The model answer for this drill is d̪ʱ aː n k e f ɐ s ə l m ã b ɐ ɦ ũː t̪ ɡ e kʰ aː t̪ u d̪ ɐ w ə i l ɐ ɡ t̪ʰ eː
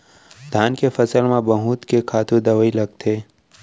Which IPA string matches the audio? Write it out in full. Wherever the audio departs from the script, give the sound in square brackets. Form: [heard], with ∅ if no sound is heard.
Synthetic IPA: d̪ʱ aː n k e f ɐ s ə l m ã b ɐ ɦ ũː t̪ [k] e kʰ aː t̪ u d̪ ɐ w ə i l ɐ ɡ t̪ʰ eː

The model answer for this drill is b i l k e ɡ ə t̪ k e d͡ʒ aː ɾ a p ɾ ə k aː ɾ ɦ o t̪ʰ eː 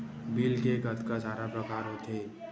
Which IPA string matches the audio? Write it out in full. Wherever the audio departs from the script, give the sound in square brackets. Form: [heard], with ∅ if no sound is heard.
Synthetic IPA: b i l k e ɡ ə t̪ k [a] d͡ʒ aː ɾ a p ɾ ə k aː ɾ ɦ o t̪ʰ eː

